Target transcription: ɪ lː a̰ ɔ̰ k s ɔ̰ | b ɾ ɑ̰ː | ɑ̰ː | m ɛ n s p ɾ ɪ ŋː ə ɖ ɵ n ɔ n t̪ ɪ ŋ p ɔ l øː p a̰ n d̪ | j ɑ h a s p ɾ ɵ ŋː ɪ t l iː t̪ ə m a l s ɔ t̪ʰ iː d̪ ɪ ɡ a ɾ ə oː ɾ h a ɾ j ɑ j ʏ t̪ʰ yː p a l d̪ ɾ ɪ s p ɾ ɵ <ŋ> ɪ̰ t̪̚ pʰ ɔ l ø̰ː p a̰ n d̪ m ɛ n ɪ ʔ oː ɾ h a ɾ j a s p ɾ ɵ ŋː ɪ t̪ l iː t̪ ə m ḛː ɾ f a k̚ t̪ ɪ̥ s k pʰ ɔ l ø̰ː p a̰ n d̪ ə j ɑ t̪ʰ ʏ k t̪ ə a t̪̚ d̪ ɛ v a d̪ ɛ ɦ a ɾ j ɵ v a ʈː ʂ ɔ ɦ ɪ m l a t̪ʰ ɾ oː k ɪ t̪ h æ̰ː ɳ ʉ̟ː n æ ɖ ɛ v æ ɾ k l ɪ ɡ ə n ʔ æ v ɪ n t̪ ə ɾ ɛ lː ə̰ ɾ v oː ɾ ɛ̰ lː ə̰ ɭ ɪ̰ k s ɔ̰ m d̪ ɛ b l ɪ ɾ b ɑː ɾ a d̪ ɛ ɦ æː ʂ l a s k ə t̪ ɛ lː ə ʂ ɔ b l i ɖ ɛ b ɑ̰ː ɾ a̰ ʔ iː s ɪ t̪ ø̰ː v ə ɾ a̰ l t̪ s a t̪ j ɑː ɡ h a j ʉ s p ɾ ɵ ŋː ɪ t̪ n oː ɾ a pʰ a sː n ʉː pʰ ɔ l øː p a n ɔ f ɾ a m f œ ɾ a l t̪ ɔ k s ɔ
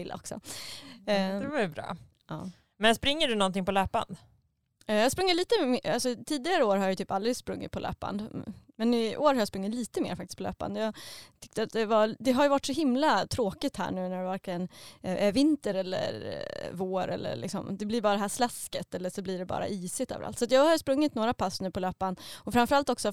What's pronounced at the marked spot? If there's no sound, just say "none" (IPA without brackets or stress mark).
ŋː